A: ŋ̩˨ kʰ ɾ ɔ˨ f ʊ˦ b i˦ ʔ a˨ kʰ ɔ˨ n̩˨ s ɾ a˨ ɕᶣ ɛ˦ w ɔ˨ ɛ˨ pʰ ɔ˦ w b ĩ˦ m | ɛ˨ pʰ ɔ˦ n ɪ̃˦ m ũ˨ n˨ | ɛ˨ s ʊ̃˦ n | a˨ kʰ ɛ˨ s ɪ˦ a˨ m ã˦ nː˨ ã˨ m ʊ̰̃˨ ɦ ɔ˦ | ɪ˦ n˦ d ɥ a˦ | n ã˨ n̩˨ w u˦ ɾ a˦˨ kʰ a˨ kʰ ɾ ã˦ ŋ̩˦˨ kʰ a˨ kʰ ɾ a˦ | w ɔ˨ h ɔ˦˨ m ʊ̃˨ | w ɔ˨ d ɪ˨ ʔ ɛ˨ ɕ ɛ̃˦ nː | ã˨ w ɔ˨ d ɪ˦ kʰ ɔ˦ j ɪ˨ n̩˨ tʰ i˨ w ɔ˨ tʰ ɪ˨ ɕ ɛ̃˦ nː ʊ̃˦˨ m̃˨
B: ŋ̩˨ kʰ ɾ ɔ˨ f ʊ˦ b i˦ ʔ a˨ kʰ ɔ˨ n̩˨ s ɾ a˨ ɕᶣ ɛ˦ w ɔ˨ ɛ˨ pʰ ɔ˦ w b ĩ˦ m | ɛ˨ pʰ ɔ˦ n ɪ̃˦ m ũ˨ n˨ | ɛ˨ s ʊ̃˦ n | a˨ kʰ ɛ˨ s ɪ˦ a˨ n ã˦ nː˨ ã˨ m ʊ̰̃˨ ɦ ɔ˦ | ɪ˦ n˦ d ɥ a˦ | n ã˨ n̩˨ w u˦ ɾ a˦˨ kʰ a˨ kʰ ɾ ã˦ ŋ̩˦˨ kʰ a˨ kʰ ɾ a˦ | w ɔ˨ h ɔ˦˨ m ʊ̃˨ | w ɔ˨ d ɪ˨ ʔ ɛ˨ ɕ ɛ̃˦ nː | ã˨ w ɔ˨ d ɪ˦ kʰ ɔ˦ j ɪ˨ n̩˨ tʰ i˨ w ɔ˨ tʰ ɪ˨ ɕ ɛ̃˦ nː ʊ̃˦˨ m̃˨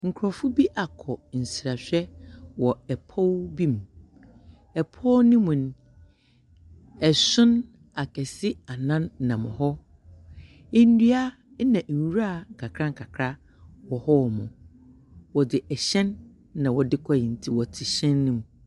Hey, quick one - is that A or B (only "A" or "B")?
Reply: B